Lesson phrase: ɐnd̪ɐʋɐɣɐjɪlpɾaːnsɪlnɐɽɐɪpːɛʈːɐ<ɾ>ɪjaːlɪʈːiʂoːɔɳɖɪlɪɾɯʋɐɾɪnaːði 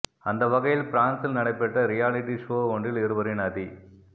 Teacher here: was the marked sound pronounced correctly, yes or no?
yes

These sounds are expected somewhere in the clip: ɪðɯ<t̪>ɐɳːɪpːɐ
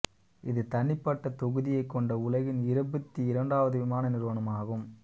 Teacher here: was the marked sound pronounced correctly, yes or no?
yes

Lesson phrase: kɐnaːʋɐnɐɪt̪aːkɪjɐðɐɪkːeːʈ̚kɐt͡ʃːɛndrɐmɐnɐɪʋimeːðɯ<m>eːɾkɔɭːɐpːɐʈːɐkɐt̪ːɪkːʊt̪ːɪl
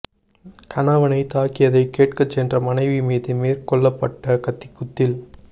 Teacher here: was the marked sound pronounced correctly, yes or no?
yes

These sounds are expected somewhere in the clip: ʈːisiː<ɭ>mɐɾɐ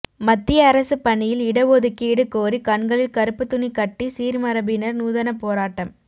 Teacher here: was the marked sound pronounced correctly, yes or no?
no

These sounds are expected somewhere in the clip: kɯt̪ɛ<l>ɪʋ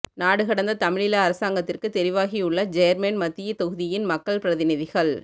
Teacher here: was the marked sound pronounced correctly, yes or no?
no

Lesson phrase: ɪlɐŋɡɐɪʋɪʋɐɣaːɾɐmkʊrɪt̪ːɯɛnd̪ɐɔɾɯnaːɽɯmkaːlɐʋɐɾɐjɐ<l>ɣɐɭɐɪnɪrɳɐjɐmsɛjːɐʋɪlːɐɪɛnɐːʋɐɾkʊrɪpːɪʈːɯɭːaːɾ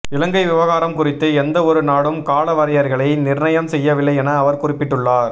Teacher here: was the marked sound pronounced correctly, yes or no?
no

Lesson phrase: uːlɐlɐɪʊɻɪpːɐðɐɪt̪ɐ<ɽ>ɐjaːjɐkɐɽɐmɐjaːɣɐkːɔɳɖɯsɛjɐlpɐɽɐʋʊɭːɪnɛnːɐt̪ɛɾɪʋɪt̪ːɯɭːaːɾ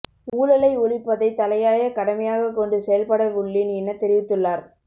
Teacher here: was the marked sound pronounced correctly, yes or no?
no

